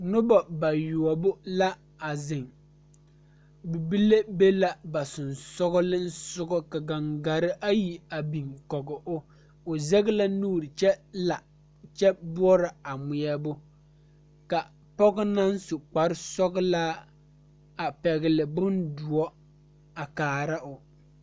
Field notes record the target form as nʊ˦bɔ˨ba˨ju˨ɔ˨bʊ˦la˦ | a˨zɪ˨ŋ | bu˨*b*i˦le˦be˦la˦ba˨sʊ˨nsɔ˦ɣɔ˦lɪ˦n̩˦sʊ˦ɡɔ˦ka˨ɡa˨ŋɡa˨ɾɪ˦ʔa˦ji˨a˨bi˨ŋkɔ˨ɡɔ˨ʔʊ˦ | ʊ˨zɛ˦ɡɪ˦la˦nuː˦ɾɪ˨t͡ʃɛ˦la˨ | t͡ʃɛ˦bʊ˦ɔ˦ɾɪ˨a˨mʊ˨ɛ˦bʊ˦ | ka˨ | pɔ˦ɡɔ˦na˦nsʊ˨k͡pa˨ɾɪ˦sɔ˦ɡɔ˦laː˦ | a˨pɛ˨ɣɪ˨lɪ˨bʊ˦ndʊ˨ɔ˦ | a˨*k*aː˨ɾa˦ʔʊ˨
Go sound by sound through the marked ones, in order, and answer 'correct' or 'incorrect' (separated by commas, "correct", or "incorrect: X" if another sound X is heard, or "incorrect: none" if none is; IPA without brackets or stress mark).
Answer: correct, correct